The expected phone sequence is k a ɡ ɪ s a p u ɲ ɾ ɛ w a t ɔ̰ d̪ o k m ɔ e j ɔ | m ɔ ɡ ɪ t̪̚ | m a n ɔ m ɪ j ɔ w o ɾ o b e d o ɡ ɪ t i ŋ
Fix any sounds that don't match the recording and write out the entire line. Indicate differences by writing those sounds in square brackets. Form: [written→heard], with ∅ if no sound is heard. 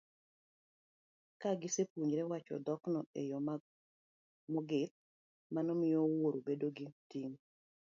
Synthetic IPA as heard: k a ɡ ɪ s [a→e] p u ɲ ɾ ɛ w a [t→t͡ʃ] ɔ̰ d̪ [o→ɔ] k [m→n] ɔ e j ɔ | m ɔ ɡ ɪ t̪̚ | m a n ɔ m ɪ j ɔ w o ɾ o b e d o ɡ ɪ t i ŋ